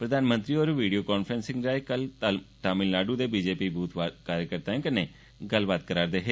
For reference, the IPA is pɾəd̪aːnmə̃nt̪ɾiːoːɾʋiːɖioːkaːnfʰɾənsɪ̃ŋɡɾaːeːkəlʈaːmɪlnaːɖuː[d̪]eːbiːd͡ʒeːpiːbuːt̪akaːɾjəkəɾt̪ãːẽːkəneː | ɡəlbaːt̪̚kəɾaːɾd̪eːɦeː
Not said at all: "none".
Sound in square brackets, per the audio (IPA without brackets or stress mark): d̪